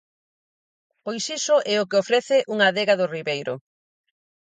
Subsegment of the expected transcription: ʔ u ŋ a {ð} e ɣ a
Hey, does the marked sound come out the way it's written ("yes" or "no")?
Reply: yes